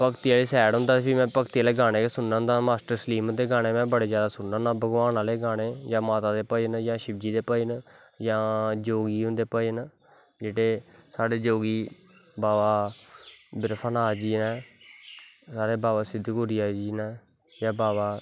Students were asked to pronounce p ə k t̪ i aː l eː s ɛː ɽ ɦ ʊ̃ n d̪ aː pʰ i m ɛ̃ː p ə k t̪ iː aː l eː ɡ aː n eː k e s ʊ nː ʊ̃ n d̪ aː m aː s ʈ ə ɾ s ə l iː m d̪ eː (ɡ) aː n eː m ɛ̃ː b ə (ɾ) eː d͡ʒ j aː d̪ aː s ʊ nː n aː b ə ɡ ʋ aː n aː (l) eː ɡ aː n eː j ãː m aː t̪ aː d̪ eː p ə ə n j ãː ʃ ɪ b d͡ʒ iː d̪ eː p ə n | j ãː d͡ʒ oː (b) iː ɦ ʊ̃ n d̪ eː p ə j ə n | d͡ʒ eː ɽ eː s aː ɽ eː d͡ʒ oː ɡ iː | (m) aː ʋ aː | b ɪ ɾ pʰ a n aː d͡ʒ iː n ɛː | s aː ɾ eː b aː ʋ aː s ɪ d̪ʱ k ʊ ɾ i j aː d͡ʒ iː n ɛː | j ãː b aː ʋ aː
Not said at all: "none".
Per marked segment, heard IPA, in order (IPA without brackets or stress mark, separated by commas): ɡ, ɽ, l, ɡ, b